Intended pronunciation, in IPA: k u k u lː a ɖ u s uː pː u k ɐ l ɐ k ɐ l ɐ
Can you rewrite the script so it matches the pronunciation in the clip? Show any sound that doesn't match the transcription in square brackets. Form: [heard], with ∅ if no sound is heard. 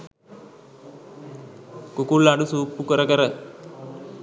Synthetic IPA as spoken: k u k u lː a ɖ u s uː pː u k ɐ [ɾ] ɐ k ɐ [ɾ] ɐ

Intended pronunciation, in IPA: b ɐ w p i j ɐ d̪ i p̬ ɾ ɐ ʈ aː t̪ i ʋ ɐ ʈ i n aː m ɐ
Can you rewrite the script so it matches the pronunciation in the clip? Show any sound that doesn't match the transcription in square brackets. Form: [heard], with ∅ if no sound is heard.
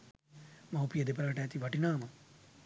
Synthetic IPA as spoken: [m] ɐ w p i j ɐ d̪ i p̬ ɾ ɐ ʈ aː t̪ i ʋ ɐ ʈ i n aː m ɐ

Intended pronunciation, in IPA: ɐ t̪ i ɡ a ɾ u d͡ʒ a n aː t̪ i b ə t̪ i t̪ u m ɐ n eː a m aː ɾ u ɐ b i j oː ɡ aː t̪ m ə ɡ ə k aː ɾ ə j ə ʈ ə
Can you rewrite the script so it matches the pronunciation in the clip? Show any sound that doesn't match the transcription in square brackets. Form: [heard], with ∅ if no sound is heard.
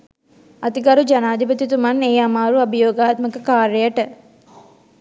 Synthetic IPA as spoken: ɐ t̪ i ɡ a ɾ u d͡ʒ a n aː [d̪] i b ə t̪ i t̪ u m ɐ n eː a m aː ɾ u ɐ b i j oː ɡ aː t̪ m ə [k] ə k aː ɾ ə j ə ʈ ə

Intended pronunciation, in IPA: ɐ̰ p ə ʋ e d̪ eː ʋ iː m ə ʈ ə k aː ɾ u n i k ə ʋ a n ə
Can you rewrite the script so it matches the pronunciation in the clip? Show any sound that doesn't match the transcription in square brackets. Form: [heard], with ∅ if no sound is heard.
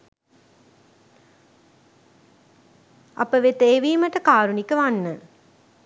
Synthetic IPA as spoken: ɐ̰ p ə ʋ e [t̪] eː ʋ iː m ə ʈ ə k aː ɾ u n i k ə ʋ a [nː] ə

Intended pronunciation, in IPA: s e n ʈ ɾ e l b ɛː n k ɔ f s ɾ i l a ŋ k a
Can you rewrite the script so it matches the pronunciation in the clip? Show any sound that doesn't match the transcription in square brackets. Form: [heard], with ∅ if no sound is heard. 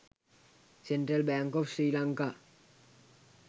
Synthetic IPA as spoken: s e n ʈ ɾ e l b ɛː [ŋ] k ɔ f s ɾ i l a ŋ k a

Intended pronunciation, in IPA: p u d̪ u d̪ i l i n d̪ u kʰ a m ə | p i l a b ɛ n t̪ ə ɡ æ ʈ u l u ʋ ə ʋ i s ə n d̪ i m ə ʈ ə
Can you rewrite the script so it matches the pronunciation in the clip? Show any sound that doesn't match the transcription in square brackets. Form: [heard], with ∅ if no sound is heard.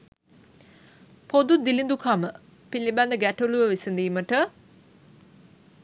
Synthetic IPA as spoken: p [o] d̪ u d̪ i l i n d̪ u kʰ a m ə | p i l [i] b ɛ n [d̪] ə ɡ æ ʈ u l u ʋ ə ʋ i s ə n d̪ [iː] m ə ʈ ə

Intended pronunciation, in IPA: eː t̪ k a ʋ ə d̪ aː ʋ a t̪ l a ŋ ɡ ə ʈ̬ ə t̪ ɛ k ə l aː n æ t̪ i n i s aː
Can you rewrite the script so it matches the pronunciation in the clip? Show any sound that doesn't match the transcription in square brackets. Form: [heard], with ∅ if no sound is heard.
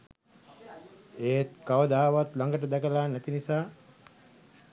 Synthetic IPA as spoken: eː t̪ k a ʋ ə d̪ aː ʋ a t̪ l a ŋ ɡ ə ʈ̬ ə [d̪] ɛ k ə l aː n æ t̪ i n i s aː

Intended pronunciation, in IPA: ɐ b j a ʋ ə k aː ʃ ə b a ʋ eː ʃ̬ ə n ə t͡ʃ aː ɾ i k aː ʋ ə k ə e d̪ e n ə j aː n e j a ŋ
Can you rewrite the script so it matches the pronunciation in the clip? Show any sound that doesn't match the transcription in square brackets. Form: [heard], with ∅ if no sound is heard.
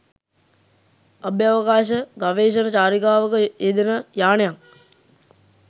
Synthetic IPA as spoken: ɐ b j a ʋ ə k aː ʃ ə [ɡ] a ʋ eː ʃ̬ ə n ə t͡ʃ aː ɾ i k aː ʋ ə k ə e d̪ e n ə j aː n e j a ŋ

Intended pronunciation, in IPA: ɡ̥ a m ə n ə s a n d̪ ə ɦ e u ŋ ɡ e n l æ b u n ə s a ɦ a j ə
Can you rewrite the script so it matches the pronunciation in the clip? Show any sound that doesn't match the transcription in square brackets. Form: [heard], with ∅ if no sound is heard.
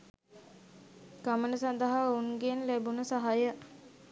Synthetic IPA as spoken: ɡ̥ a m ə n ə s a n d̪ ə ɦ [a] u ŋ ɡ e n l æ b u n ə s a ɦ a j ə

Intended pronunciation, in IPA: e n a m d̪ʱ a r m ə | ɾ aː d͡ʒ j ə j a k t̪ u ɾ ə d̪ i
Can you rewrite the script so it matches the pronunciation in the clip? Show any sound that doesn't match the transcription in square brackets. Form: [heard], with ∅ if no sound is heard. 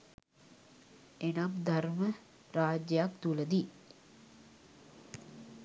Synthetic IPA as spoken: e n a m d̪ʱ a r m ə | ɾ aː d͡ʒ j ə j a k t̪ u [l] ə d̪ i

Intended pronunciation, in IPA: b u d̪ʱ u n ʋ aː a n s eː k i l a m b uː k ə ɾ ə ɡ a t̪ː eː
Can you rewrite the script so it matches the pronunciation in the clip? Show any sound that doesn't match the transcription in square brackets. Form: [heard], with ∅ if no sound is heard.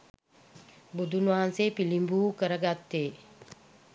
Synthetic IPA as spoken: b u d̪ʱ u n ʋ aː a n s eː [p] i l [i] m b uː k ə ɾ ə ɡ a t̪ː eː

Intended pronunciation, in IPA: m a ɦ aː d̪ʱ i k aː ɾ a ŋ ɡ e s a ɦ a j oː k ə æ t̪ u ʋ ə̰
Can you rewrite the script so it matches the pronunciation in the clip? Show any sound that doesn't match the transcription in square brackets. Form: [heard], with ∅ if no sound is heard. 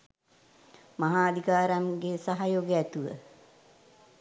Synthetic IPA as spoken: m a ɦ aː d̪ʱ i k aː ɾ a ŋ ɡ e s a ɦ a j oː [ɡ] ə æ t̪ u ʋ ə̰

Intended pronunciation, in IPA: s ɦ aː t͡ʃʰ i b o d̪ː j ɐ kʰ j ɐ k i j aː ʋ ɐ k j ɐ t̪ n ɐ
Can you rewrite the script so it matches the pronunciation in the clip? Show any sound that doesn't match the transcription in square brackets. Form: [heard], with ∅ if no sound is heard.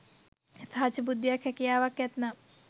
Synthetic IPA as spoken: s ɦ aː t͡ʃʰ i b [u] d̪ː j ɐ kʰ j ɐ k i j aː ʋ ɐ k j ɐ t̪ n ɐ

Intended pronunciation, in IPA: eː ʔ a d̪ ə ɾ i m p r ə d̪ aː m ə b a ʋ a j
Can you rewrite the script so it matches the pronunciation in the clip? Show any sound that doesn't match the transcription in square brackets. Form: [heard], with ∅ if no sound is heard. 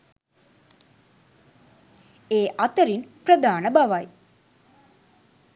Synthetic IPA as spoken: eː ʔ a [t̪] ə ɾ i [n] p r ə d̪ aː [n] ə b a ʋ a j

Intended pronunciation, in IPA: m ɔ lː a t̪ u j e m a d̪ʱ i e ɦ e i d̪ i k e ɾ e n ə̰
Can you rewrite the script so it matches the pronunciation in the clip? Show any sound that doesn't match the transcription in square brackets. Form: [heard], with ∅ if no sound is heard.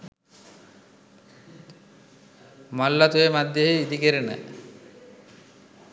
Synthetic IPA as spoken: m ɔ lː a t̪ u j e m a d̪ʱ [j] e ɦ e i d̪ i k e ɾ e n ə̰

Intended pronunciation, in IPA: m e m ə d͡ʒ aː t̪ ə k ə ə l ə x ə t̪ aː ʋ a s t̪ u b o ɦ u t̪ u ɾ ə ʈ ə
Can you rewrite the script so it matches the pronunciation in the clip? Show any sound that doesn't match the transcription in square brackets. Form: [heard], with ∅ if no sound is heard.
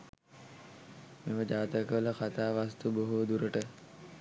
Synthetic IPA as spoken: m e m ə d͡ʒ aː t̪ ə k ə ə l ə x [a] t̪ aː ʋ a s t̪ u b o ɦ u [d̪] u ɾ ə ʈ ə

